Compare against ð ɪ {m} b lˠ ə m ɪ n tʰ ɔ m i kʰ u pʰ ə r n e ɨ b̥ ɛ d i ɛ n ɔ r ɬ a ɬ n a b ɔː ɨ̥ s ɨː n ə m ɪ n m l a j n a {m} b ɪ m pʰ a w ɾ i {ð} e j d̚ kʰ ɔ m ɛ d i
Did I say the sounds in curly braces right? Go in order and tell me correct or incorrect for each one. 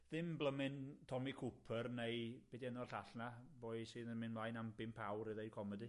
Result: correct, correct, correct

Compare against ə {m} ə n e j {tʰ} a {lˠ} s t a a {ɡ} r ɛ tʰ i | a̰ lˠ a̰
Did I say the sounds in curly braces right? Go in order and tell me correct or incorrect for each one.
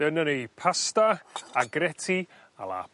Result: incorrect: n, incorrect: pʰ, incorrect: none, correct

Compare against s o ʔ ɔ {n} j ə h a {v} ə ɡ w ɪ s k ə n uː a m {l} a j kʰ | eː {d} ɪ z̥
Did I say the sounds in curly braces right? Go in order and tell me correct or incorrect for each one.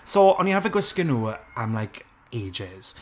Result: correct, correct, correct, incorrect: d͡ʒ

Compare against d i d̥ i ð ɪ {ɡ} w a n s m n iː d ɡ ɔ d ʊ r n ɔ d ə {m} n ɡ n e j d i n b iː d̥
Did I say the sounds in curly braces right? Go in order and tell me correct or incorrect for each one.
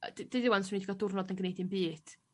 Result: incorrect: none, incorrect: none

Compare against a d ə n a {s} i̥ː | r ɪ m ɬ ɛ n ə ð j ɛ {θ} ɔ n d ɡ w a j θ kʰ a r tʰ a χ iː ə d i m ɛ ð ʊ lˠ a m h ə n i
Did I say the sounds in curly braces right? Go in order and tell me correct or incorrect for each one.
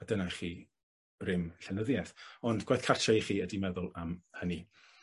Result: incorrect: χ, correct

